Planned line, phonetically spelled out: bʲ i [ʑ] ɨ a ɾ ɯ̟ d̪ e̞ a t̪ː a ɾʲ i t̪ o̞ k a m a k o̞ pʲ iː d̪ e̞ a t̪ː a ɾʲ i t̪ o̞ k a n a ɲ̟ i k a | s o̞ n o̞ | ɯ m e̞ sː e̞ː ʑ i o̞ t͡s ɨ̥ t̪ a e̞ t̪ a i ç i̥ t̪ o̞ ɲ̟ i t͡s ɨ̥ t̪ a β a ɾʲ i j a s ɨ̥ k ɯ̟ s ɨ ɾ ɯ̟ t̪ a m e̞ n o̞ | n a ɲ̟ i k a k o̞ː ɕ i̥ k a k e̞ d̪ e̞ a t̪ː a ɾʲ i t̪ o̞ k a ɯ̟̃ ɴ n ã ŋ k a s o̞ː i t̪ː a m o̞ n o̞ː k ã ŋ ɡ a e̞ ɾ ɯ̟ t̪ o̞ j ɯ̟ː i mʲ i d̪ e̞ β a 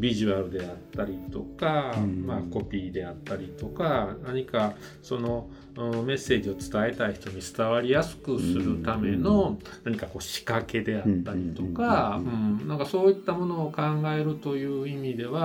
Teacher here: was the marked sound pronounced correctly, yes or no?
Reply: yes